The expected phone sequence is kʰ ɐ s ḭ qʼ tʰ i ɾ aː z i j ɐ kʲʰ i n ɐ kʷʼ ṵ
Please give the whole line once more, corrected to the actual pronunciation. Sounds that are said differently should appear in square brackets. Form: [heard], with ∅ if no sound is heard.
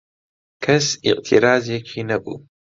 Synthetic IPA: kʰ ɐ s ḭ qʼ tʰ i ɾ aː z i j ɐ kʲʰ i n ɐ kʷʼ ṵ